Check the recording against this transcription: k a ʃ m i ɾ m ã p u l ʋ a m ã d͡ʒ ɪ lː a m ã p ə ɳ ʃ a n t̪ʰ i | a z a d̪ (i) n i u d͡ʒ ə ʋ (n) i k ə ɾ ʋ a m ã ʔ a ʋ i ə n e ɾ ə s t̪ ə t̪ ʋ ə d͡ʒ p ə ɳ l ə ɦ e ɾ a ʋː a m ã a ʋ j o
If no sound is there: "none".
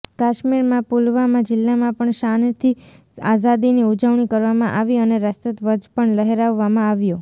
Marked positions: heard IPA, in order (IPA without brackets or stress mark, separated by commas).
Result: i, ɳ